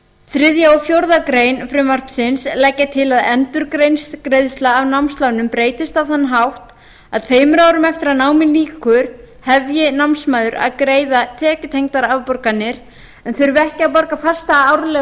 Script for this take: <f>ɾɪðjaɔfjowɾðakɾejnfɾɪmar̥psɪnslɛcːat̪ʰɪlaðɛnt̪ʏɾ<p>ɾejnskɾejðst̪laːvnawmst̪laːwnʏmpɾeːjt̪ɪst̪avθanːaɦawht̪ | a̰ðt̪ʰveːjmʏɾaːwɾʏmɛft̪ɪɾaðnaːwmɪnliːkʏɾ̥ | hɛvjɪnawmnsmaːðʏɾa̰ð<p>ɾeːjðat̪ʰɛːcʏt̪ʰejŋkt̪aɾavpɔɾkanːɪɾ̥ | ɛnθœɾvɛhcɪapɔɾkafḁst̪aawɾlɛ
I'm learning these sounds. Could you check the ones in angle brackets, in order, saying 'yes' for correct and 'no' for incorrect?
no, no, no

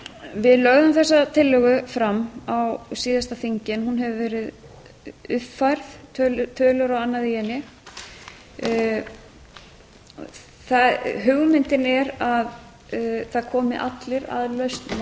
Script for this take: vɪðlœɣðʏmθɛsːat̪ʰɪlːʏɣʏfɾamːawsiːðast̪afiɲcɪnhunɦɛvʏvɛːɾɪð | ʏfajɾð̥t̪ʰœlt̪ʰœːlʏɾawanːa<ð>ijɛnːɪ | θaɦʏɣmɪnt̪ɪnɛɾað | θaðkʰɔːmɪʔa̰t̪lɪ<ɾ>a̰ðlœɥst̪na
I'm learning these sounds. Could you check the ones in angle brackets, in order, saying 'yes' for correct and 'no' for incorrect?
yes, yes

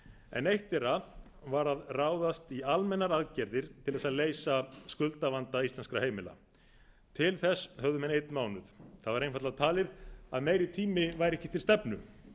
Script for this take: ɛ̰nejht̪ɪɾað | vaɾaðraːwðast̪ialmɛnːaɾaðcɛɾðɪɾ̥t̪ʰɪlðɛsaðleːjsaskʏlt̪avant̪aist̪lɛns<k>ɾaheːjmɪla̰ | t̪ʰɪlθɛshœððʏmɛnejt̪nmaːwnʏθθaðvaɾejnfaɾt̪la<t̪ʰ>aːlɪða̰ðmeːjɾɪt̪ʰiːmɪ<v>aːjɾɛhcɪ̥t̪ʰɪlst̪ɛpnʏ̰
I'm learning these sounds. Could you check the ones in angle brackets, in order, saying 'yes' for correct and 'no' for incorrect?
yes, yes, yes

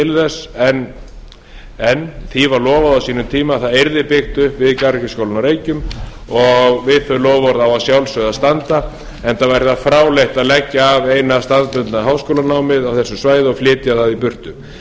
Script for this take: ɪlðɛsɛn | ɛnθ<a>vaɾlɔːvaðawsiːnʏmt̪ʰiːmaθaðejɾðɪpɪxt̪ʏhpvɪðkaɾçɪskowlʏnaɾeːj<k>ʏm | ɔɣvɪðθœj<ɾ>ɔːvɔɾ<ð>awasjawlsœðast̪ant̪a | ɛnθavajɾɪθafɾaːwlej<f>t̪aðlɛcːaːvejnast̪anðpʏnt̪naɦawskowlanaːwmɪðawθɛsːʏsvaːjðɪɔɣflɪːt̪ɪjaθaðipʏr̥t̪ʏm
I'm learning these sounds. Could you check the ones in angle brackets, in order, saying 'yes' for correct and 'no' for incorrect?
no, no, no, yes, no

